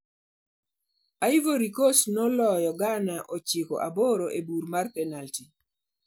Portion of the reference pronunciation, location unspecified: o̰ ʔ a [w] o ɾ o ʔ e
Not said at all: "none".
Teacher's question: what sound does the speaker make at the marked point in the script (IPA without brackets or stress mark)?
b